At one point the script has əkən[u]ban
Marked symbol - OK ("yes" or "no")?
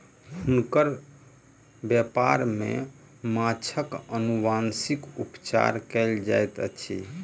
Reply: yes